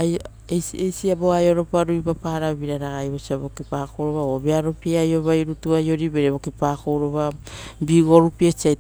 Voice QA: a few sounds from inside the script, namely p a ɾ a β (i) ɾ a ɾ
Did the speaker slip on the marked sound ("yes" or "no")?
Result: no